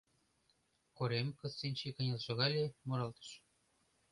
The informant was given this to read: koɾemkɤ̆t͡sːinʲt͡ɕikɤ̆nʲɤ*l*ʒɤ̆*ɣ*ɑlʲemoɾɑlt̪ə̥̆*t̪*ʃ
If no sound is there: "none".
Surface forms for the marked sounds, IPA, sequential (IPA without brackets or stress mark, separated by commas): l, ɣ, none